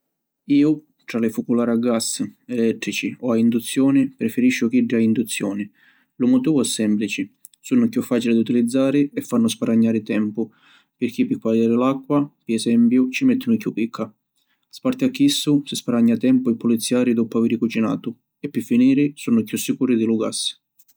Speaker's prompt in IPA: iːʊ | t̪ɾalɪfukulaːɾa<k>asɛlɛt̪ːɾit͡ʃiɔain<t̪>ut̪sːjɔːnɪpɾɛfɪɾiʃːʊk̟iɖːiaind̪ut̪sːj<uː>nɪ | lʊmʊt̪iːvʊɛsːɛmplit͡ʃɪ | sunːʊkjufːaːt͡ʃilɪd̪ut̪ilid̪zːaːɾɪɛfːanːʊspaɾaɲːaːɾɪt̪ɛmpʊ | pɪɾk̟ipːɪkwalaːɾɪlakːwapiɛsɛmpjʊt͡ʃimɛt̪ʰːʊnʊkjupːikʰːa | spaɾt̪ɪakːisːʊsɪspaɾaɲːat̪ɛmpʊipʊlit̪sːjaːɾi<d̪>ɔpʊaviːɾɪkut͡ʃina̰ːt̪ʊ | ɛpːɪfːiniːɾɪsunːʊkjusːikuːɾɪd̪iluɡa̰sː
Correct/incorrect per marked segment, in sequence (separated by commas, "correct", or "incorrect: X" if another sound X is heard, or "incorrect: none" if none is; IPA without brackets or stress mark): incorrect: ɡ, incorrect: d̪, incorrect: ɔː, correct